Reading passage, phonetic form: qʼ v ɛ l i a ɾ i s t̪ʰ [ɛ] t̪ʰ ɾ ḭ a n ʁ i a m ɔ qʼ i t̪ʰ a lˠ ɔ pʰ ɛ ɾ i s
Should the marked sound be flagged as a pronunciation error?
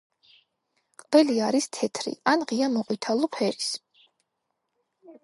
no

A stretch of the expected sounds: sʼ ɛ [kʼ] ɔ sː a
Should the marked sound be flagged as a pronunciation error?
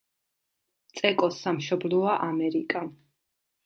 no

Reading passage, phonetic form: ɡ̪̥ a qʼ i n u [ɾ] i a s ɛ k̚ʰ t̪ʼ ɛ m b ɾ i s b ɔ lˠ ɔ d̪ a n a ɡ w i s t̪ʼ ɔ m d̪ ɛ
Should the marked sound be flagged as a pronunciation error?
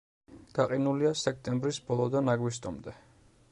yes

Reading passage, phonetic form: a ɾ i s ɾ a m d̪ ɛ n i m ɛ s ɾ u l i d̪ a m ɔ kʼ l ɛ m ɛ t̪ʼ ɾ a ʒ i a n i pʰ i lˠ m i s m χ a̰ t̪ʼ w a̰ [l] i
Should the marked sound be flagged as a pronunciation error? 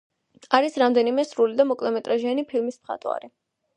yes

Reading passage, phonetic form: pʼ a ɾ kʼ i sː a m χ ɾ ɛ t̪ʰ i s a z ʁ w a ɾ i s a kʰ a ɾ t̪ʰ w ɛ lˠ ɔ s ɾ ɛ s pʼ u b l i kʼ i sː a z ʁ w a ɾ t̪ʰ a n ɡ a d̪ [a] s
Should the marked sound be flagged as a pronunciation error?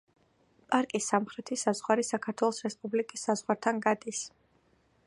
yes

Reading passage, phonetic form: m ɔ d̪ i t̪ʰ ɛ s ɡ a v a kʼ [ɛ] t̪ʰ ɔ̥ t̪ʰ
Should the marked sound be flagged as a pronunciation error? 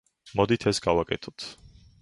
no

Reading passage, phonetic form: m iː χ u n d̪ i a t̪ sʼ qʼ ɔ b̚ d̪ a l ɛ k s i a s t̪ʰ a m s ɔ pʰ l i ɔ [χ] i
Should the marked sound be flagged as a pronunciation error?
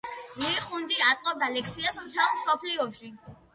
yes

